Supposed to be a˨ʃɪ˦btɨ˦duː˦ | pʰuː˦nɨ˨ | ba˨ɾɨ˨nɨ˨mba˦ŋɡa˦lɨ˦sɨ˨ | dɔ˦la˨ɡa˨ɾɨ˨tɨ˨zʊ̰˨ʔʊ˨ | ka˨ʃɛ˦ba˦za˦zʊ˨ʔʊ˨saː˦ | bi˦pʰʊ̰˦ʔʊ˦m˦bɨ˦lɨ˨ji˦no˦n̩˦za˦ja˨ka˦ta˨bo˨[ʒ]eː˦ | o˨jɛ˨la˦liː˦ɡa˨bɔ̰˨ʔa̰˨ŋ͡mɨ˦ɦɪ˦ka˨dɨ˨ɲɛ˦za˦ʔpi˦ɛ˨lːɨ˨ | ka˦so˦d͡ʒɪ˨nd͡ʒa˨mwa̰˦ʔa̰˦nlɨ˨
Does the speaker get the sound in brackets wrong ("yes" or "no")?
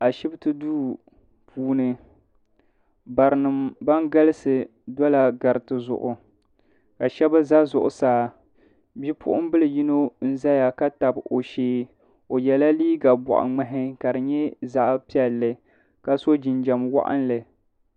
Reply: yes